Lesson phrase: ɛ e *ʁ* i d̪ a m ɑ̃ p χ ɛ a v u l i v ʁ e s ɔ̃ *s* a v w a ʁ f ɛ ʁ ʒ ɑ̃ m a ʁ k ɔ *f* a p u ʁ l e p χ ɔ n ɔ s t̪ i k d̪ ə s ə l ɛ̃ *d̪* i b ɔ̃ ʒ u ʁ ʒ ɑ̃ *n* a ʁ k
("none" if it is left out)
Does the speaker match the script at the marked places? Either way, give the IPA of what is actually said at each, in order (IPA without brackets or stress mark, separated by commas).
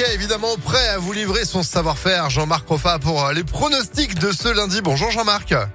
v, s, f, d̪, m